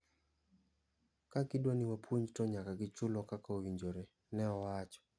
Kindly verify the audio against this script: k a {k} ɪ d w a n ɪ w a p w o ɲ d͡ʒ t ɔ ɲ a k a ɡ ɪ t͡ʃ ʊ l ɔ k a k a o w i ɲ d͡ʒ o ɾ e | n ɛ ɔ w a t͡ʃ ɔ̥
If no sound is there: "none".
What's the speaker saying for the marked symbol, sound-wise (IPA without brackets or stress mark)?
k